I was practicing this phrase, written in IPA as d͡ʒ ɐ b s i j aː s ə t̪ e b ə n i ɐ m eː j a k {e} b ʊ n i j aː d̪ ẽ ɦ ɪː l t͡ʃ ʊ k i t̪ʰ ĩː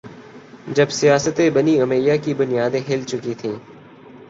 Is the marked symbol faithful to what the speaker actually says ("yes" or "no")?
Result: no